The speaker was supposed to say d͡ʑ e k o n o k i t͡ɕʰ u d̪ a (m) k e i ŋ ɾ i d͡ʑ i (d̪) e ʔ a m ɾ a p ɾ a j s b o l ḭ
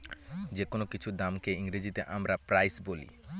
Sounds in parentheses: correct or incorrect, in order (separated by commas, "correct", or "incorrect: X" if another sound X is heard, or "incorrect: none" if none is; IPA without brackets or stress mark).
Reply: correct, incorrect: t̪